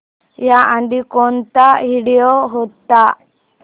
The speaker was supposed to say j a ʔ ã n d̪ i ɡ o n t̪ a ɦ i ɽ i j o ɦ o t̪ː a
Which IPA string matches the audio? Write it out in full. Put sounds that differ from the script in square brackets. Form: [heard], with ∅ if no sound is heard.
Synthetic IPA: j a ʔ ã n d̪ i [k] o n t̪ a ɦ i ɽ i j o ɦ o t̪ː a